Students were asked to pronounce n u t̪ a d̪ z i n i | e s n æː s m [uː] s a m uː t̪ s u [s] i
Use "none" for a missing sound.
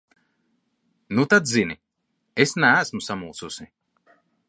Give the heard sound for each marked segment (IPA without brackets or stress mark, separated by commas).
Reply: u, s